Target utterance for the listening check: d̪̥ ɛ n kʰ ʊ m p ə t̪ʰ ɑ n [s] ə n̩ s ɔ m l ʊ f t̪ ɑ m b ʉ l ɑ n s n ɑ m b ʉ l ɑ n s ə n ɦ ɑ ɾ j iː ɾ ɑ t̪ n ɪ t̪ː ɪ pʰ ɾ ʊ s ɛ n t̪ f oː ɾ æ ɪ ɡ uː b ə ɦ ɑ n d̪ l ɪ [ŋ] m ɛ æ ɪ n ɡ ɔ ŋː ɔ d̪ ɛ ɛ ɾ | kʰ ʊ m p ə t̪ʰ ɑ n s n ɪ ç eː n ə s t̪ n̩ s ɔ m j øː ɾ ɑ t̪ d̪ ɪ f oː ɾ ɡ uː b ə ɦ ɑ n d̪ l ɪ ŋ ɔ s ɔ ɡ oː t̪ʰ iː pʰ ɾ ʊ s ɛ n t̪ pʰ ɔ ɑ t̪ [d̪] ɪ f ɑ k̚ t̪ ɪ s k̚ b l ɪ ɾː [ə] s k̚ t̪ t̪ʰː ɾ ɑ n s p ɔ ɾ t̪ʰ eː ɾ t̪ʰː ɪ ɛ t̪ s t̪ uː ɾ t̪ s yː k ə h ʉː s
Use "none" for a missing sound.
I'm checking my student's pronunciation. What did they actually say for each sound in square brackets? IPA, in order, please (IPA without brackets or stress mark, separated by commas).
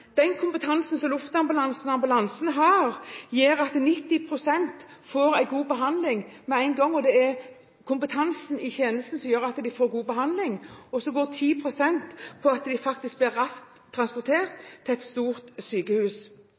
s, ŋ, d̪, ɑ